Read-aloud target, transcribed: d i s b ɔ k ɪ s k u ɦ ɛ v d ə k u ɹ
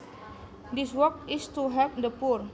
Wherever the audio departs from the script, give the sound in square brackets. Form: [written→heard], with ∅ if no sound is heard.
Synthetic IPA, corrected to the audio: d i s [b→w] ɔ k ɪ s [k→t] u ɦ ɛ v d ə [k→p] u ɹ